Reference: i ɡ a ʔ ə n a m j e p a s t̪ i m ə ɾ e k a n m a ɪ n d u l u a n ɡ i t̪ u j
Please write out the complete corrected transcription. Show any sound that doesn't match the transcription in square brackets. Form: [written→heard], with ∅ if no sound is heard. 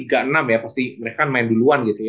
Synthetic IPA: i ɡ a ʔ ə n a m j [e→a] p a s t̪ i m ə ɾ e k a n m a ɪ n d u l u a n ɡ i t̪ u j